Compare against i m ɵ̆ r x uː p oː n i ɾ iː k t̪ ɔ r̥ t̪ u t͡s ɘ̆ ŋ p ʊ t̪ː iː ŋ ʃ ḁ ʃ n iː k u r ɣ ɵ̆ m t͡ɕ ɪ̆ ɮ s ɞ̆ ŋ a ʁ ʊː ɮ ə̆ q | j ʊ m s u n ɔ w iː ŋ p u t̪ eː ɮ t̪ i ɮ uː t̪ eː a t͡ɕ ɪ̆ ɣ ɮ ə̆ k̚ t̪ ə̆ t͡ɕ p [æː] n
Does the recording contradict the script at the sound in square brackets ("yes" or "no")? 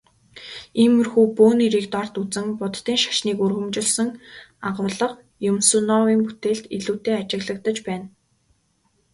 no